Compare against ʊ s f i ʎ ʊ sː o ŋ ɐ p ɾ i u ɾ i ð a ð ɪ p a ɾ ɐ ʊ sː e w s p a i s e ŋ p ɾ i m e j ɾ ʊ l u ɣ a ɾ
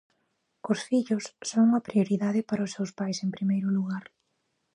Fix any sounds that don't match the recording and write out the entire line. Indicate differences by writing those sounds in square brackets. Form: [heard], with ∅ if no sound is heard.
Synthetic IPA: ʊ s f i ʎ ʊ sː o ŋ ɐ p ɾ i [o] ɾ i ð a ð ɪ p a ɾ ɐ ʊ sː e w s p a [j] s e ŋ p ɾ i m e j ɾ ʊ l u ɣ a ɾ